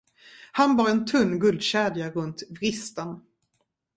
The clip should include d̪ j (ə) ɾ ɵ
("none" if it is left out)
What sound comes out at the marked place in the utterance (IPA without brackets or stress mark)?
a